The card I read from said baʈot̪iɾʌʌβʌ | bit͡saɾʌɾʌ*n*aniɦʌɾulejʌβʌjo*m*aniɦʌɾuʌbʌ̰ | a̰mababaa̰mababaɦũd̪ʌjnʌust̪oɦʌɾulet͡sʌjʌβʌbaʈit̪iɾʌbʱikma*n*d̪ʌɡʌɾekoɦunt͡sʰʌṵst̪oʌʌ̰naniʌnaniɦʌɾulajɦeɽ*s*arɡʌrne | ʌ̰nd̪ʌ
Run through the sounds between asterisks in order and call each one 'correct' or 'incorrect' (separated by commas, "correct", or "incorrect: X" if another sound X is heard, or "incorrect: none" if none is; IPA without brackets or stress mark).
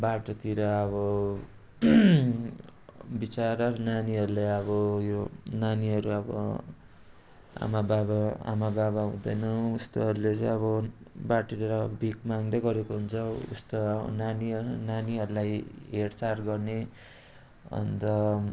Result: correct, incorrect: n, incorrect: ŋ, incorrect: t͡s